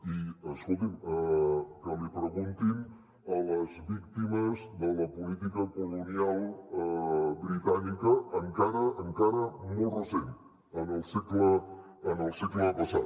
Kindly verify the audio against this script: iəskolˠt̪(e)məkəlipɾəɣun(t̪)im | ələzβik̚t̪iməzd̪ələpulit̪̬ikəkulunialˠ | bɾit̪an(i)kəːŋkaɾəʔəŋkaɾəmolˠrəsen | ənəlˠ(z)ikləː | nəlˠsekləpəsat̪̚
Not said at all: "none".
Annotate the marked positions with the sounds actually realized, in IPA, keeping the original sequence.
i, t̪, i, s

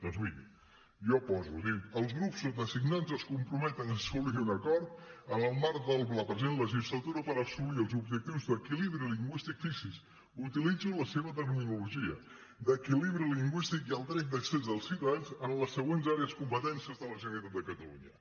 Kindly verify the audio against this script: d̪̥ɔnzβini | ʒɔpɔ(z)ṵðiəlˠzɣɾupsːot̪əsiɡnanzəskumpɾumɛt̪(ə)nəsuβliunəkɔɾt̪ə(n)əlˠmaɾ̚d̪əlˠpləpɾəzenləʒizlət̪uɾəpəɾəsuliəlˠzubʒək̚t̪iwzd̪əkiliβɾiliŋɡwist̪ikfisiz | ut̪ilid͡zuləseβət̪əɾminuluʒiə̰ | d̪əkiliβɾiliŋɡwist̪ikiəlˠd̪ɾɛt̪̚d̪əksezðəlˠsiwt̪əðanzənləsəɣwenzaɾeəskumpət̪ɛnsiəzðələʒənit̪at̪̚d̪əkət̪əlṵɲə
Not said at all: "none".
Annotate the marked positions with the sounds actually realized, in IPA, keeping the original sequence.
z, ə, n

